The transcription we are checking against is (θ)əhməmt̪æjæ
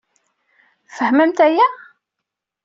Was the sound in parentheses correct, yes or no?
no